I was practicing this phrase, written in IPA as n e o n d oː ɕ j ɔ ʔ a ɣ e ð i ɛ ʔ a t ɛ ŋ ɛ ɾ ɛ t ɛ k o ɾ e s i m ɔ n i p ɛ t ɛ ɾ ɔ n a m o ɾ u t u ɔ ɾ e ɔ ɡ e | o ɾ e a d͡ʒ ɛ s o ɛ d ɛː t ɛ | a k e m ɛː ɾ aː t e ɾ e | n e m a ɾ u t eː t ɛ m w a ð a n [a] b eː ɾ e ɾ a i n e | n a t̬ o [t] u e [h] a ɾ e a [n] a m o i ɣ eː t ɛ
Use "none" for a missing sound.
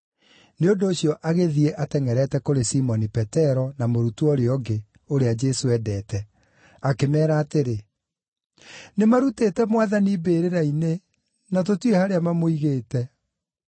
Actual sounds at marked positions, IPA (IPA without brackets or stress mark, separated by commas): i, t, h, m